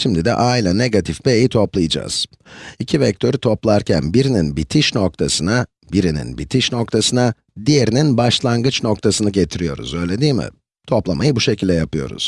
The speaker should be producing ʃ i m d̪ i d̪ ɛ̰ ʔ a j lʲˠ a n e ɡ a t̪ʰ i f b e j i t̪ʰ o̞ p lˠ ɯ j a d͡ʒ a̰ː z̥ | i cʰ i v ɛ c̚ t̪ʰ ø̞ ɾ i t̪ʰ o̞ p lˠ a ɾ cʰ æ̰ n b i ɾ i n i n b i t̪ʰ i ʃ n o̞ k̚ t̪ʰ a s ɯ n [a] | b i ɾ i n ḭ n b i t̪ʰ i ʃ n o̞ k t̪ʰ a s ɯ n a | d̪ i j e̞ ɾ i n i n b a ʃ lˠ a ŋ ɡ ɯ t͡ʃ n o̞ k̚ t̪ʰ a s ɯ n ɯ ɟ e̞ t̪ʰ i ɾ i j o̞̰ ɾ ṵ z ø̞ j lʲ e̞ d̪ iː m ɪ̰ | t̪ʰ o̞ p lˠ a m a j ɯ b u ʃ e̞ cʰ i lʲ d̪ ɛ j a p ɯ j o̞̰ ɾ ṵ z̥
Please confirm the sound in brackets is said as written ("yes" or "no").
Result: yes